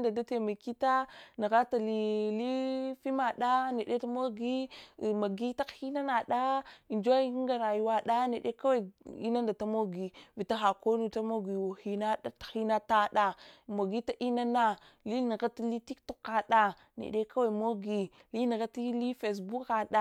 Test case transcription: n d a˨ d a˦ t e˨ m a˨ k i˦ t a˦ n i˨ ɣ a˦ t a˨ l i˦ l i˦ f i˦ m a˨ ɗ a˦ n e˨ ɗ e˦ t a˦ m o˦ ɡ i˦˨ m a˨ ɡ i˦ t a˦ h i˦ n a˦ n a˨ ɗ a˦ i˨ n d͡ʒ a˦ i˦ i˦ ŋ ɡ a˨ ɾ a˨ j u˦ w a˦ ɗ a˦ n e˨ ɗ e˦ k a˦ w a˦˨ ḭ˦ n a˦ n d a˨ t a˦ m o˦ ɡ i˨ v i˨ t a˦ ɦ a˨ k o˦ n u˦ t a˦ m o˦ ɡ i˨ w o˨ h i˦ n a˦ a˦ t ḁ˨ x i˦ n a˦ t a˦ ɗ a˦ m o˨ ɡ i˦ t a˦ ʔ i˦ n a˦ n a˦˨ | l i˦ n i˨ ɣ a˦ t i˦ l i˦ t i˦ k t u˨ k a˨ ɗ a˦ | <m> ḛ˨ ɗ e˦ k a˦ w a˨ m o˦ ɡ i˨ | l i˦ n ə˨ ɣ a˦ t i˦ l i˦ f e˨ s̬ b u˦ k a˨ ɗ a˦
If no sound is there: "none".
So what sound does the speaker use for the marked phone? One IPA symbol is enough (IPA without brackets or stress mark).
n